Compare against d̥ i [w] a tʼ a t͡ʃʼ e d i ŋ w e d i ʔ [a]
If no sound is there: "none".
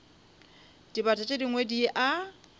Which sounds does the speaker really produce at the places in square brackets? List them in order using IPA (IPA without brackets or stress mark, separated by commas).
b, a